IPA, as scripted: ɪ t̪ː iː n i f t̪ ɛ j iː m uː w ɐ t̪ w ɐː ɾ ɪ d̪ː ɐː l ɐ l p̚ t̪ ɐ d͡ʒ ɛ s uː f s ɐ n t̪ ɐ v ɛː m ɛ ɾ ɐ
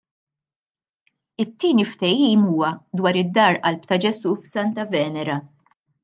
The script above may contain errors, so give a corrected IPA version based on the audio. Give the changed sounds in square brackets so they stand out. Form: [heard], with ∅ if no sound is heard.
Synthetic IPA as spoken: ɪ t̪ː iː n i f t̪ ɛ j iː m uː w ɐ [d̪] w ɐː ɾ ɪ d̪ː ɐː [ɾ] ɐ l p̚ t̪ ɐ d͡ʒ ɛ s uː f s ɐ n t̪ ɐ v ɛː [n] ɛ ɾ ɐ